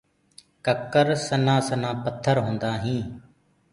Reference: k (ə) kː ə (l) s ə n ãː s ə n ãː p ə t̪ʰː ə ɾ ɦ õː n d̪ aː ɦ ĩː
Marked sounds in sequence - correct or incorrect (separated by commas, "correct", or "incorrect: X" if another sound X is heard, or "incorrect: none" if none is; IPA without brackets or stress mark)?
correct, incorrect: ɾ